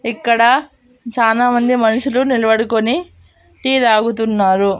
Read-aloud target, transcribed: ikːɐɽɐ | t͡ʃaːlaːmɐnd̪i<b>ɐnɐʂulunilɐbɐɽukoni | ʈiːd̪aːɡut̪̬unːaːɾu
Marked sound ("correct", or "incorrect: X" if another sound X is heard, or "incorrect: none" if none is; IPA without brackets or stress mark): incorrect: m